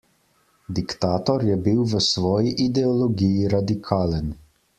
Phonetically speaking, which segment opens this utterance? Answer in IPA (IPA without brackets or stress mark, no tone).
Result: d̪